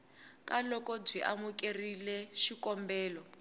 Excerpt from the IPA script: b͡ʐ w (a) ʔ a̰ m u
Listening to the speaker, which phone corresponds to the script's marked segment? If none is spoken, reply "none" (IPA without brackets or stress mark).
i